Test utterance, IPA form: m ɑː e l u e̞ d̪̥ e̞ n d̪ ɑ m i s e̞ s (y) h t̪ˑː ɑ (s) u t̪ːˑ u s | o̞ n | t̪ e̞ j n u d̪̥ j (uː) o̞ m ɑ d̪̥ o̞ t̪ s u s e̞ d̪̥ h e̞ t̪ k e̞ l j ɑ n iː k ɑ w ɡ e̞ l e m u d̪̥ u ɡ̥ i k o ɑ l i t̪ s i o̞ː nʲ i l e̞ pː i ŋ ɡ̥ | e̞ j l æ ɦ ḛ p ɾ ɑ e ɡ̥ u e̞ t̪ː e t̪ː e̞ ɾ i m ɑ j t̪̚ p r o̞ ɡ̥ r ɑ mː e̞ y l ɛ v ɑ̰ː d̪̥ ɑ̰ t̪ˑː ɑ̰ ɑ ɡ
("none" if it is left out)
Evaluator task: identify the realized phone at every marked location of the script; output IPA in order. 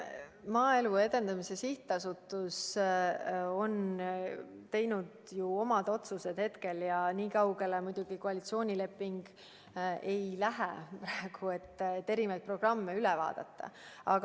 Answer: i, s, u

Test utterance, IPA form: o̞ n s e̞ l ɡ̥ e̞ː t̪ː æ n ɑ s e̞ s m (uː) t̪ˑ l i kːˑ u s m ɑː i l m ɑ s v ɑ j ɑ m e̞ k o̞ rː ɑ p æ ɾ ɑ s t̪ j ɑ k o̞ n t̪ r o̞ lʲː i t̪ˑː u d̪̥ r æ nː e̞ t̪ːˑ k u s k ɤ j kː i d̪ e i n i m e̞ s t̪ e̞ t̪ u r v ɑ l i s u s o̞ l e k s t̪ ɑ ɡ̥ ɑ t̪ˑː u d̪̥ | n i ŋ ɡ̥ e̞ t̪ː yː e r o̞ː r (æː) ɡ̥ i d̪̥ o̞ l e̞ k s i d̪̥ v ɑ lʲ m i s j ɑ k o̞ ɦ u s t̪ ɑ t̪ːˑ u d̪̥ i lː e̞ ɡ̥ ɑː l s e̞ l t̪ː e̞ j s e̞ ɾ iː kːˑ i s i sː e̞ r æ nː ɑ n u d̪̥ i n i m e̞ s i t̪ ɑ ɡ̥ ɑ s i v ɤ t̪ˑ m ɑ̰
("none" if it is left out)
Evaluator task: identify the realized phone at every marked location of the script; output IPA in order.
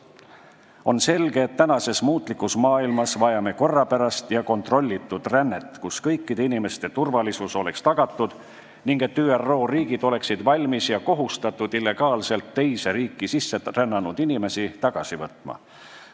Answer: uː, iː

